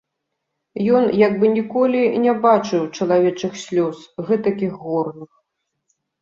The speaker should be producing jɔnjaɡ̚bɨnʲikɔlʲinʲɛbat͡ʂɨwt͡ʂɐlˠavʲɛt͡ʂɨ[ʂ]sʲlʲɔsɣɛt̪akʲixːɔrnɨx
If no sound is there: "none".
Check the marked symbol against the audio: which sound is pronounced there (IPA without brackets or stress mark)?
x